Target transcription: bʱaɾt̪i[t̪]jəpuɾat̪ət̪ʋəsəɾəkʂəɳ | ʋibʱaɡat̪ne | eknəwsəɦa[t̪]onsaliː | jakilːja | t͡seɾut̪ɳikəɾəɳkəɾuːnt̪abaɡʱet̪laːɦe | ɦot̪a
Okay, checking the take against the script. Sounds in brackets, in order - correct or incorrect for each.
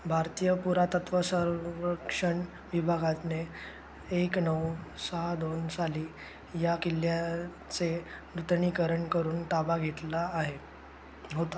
incorrect, incorrect

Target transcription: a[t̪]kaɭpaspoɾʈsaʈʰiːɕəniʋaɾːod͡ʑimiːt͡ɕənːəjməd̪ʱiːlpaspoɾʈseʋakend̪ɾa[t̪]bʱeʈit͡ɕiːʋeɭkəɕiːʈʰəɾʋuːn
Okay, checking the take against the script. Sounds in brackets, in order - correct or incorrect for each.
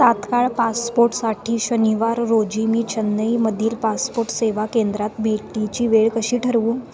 correct, correct

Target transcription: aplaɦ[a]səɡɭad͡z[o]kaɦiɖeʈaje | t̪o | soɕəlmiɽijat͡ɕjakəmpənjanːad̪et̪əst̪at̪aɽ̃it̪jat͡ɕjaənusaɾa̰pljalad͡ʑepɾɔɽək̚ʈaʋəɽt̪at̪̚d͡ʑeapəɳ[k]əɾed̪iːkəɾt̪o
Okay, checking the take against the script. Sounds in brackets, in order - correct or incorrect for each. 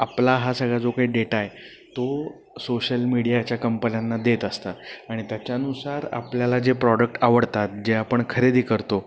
correct, correct, incorrect

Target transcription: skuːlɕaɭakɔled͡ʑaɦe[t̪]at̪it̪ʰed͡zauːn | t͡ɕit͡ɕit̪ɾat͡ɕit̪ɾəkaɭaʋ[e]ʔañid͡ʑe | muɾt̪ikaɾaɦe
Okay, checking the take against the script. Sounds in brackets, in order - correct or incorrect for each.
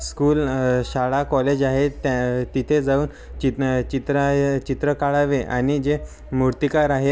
correct, correct

